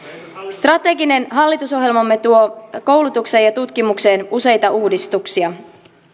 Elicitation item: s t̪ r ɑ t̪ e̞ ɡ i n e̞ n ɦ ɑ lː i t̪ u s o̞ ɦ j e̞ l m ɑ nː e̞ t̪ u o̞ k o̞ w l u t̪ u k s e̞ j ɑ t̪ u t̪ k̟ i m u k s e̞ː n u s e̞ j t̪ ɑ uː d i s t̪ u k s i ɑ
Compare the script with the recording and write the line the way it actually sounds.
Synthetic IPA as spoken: s t̪ r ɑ t̪ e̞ ɡ i n e̞ n ɦ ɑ lː i t̪ u s o̞ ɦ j e̞ l m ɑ mː e̞ t̪ u o̞ k o̞ w l u t̪ u k s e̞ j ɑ t̪ u t̪ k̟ i m u k s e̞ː n u s e̞ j t̪ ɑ uː d i s t̪ u k s i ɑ